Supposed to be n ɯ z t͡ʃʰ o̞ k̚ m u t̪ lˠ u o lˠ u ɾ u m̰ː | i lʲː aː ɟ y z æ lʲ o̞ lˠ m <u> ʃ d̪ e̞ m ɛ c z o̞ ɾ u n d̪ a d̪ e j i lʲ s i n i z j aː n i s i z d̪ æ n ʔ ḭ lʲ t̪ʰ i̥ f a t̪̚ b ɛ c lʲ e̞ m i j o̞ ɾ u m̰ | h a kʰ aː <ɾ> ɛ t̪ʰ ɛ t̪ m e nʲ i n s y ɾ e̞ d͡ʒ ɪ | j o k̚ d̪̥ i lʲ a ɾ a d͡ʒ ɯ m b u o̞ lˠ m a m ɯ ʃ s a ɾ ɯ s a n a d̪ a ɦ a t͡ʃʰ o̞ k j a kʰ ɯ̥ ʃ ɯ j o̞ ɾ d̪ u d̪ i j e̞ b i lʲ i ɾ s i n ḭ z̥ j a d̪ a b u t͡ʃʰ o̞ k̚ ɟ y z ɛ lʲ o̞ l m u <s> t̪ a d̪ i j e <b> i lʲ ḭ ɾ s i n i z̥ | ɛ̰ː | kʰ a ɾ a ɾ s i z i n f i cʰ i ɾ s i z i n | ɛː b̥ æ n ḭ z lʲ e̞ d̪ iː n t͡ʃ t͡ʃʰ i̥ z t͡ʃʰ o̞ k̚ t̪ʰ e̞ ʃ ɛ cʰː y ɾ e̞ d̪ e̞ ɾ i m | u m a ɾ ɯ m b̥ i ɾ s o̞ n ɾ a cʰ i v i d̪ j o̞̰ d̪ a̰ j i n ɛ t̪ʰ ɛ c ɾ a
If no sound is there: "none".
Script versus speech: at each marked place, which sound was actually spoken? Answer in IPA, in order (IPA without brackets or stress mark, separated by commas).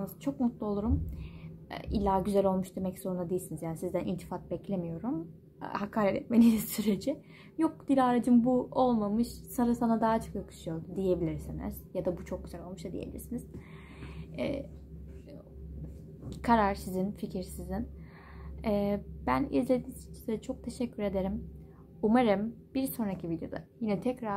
u, ɾ, ʃ, b